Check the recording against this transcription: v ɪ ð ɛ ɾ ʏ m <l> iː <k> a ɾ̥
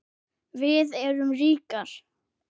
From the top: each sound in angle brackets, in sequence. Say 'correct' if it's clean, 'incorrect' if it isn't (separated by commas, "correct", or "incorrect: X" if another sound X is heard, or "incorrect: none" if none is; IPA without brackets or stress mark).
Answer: incorrect: r, correct